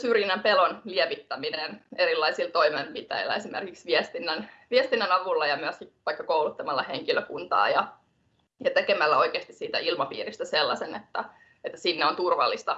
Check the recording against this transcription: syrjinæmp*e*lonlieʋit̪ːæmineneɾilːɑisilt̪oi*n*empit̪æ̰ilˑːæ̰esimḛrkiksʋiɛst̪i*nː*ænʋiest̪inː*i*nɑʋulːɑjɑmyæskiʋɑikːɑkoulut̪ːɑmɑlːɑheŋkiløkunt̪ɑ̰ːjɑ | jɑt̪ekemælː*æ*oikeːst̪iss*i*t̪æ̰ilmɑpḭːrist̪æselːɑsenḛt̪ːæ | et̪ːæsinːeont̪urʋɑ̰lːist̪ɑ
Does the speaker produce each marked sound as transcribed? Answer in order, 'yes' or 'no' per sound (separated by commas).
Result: yes, no, yes, no, yes, no